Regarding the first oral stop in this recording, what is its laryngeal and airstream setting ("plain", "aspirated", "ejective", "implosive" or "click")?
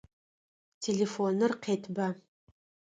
aspirated